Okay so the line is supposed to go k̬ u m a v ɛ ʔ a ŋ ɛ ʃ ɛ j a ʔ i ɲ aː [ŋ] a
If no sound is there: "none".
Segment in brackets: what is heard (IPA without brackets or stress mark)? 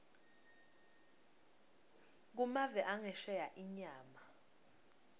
m